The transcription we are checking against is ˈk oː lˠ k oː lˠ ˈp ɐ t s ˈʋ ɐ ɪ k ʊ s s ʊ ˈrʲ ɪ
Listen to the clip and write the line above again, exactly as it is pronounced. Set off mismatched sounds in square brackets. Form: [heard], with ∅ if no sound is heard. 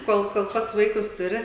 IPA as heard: ˈk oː lˠ k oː lˠ ˈp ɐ t s ˈʋ ɐ ɪ k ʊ s [t] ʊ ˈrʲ ɪ